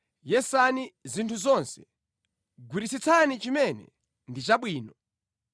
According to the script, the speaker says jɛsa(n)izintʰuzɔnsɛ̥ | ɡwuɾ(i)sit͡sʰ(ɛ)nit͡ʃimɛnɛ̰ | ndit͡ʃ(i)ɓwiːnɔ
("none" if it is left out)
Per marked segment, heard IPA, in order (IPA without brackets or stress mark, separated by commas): n, i, a, a